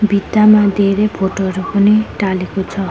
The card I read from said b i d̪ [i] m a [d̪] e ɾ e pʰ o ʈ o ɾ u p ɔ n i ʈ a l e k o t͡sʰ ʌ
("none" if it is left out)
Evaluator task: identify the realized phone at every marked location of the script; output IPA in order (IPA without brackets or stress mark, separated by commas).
a, d̪